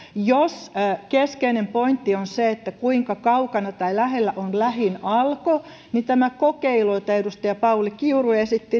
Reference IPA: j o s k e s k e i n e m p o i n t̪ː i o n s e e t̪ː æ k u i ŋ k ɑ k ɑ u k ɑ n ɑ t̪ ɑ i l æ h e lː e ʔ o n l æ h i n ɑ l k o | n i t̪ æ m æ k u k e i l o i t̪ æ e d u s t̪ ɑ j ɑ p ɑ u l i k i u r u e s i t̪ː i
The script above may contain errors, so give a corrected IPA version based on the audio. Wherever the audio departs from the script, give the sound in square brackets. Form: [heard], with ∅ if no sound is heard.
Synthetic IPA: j o s k e s k e i n e m p o i n t̪ː i o n s e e t̪ː æ k u i ŋ k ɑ k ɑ u k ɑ n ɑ t̪ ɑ i l æ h e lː [æ] ʔ o n l æ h i n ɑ l k o | n i t̪ æ m æ k [o] k e i l o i t̪ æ e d u s t̪ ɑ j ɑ p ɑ u l i k i u r u e s i t̪ː i

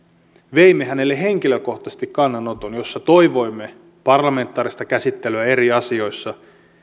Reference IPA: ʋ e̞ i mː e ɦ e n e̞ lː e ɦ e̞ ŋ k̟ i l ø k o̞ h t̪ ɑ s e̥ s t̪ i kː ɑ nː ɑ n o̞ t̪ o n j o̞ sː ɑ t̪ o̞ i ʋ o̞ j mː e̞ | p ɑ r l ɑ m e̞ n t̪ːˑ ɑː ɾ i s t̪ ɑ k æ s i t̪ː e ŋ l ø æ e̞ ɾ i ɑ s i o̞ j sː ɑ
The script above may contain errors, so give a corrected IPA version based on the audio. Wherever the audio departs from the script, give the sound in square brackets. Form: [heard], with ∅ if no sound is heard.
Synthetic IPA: ʋ e̞ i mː e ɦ [æ] n e̞ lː e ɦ e̞ ŋ k̟ i l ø k o̞ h t̪ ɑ s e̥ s t̪ i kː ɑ nː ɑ n o̞ t̪ o n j o̞ sː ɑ t̪ o̞ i ʋ o̞ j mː e̞ | p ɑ r l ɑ m e̞ n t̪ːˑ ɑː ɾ i s t̪ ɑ k æ s i t̪ː e [∅] l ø æ e̞ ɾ i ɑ s i o̞ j sː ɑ

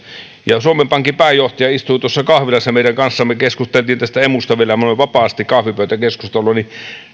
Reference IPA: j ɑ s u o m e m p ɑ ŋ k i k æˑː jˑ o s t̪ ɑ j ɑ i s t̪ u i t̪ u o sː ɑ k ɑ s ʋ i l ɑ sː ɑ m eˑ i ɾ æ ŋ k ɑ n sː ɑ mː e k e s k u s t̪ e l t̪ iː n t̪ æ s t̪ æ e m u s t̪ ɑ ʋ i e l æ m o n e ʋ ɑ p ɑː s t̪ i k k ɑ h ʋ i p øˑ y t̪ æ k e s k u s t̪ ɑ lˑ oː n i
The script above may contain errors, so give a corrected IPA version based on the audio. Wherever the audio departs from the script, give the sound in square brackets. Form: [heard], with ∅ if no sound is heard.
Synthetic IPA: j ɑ s u o m e m p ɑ ŋ k i [p] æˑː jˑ o [h] t̪ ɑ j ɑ i s t̪ u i t̪ u o sː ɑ k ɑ [h] ʋ i l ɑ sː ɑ m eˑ i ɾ æ ŋ k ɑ n sː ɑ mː e k e s k u s t̪ e l t̪ iː n t̪ æ s t̪ æ e m u s t̪ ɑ ʋ i e l æ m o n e ʋ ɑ p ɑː s t̪ i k k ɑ h ʋ i p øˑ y t̪ æ k e s k u s t̪ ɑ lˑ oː n i

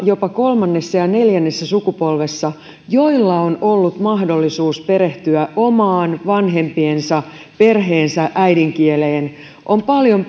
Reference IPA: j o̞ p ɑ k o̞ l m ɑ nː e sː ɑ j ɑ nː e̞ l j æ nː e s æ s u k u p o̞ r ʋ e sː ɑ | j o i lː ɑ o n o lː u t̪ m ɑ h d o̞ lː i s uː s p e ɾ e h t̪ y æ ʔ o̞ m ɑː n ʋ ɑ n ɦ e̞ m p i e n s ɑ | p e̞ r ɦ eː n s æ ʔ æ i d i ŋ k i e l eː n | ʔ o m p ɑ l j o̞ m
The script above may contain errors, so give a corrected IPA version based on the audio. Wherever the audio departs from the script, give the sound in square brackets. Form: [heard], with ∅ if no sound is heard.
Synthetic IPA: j o̞ p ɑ k o̞ l m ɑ nː e sː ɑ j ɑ [n] e̞ l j æ nː e [sː] æ s u k u p o̞ [l] ʋ e sː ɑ | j o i lː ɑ o n o lː u t̪ m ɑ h d o̞ lː i s uː s p e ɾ e h t̪ y æ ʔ o̞ m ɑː n ʋ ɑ n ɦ e̞ m p i e n s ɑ | p e̞ r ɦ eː n s æ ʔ æ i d i ŋ k i e l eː n | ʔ o m p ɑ l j o̞ m

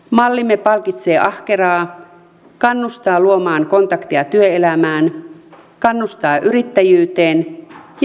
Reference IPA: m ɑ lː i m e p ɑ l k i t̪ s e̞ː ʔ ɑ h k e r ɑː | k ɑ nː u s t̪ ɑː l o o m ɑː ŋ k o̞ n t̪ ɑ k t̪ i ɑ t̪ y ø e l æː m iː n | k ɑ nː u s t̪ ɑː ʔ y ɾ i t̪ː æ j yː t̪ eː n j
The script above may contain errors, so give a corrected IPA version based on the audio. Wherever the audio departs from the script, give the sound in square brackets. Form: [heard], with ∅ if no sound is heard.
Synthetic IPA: m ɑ lː i m e p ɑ l k i t̪ s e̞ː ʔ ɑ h k e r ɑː | k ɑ nː u s t̪ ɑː l [u] o m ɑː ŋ k o̞ n t̪ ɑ k t̪ i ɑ t̪ y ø e l [æ] m [æː] n | k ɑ nː u s t̪ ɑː ʔ y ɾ i t̪ː æ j yː t̪ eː n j

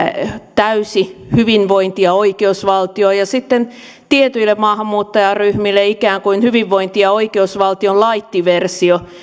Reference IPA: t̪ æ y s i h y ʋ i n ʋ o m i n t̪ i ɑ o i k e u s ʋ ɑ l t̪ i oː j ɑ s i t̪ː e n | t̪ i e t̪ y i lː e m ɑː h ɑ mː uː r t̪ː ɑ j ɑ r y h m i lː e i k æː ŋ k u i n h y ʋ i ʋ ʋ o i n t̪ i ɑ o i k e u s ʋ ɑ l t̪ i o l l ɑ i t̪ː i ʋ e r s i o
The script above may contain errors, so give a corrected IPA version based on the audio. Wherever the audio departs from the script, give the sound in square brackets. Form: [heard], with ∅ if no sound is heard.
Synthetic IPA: t̪ æ y s i h y ʋ i n ʋ o [∅] i n t̪ i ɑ o i k e u s ʋ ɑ l t̪ i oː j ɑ s i t̪ː e n | t̪ i e t̪ y i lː e m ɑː h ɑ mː uː [∅] t̪ː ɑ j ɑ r y h m i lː e i k æː ŋ k u i n h y ʋ i ʋ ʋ o i n t̪ i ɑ o i k e u s ʋ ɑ l t̪ i o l l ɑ i t̪ː i ʋ e r s i o

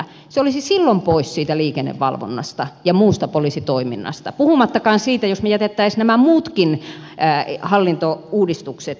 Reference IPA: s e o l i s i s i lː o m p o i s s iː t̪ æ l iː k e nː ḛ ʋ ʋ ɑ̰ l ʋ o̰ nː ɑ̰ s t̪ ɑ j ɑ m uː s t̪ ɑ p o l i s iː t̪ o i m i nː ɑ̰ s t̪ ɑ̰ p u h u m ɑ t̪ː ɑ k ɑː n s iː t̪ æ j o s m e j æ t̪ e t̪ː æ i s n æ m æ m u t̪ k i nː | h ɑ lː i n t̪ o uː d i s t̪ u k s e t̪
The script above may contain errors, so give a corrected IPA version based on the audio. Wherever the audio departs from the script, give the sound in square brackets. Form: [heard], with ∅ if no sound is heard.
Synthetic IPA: s e o l i s i s i lː o m p o i s s iː t̪ æ l iː k e nː ḛ ʋ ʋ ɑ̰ l ʋ o̰ nː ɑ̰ s t̪ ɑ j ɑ m uː s t̪ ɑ p o l i s [i] t̪ o i m i nː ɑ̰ s t̪ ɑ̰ p u h u m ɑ t̪ː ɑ k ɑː n s iː t̪ æ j o s m e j æ t̪ e t̪ː æ i s n æ m æ m [uː] t̪ k i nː | h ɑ lː i n t̪ o uː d i s t̪ u k s e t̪

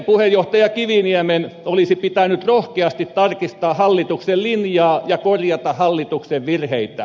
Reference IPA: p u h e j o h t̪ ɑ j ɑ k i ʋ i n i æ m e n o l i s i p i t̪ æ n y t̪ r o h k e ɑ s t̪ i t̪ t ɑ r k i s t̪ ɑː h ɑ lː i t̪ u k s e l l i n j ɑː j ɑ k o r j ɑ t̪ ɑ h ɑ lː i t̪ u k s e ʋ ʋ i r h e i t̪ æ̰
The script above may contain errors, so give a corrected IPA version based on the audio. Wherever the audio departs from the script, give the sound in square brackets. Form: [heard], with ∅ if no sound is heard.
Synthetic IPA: p u h e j o h t̪ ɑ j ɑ k i ʋ i n i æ m e n o l i s i p i t̪ æ n y t̪ r o h k e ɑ s t̪ i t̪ t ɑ r k i s t̪ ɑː h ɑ lː i t̪ u k s e l l i n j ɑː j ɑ k o r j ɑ t̪ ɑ h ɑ lː i t̪ u k s e ʋ ʋ i r h e i t̪ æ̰

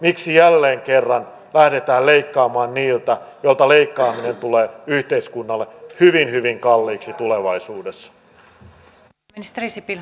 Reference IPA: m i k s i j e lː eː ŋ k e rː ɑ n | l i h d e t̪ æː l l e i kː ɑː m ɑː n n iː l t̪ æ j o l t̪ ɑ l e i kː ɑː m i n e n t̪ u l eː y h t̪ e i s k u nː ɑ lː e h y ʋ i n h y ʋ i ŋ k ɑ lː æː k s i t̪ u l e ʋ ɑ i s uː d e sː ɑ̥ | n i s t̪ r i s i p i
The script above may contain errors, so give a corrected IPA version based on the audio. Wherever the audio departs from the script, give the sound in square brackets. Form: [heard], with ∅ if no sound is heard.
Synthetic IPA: m i k s i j [æ] lː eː ŋ k e rː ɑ n | l [æ] h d e t̪ æː l l e i kː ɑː m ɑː n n iː l t̪ æ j o l t̪ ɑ l e i kː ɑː m i n e n t̪ u l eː y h t̪ e i s k u nː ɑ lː e h y ʋ i n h y ʋ i ŋ k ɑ lː [iː] k s i t̪ u l e ʋ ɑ i s uː d e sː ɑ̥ | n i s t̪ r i s i p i

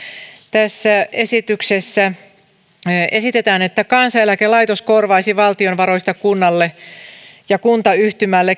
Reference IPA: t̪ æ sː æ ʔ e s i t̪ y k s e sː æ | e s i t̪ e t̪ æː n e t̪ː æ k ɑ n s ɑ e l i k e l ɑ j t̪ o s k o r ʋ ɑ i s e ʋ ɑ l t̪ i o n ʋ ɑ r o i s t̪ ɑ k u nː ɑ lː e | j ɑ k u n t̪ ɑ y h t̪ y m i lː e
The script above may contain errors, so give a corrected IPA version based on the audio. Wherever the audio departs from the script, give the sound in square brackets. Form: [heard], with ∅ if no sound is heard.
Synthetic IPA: t̪ æ sː æ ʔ e s i t̪ y k s e sː æ | e s i t̪ e t̪ æː n e t̪ː æ k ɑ n s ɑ e l [æ] k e l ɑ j t̪ o s k o r ʋ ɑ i s [i] ʋ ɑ l t̪ i o n ʋ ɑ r o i s t̪ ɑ k u nː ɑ lː e | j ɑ k u n t̪ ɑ y h t̪ y m [æ] lː e

